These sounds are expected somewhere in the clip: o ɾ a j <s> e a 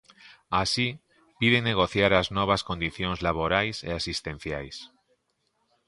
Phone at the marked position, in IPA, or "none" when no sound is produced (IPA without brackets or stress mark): s